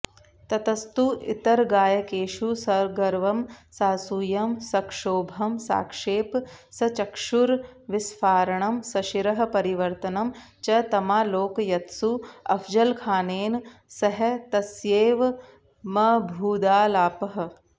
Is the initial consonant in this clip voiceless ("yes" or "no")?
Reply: yes